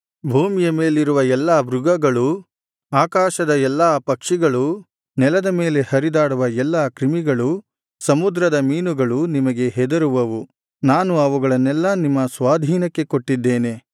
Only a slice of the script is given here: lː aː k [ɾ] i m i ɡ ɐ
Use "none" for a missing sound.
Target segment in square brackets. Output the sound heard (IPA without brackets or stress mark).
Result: ɾ